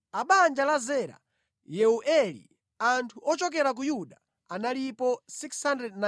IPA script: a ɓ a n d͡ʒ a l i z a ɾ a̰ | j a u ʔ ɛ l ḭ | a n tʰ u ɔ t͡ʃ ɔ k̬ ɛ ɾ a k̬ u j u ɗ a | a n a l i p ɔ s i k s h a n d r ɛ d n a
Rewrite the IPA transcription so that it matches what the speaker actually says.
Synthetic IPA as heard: a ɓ a n d͡ʒ a l a z ɛ ɾ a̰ | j ɛ u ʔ ɛ l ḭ | a n tʰ u ɔ t͡ʃ ɔ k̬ ɛ ɾ a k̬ u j u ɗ a | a n a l i p ɔ s i k s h a n d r ɛ d n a